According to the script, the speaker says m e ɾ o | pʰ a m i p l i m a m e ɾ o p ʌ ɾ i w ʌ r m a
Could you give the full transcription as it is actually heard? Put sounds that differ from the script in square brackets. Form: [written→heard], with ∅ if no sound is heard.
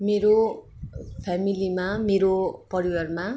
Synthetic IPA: m e ɾ o | pʰ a m i [p→∅] l i m a m e ɾ o p ʌ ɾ i w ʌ r m a